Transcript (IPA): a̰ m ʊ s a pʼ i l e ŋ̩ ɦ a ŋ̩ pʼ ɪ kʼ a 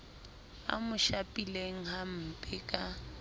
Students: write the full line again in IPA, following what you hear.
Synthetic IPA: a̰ m ʊ ʃ a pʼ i l e ŋ̩ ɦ a m̩ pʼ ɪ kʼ a